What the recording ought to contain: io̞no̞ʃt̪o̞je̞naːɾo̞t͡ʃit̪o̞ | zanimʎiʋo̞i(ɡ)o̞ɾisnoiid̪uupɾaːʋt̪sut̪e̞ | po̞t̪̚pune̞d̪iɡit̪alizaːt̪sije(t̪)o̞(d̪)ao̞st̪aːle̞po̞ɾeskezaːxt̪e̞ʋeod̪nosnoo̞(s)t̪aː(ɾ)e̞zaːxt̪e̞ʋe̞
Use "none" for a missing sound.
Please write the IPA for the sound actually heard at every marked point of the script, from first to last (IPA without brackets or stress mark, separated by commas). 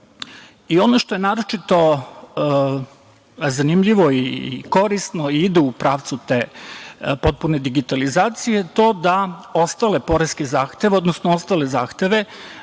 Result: k, t̪, d̪, s, l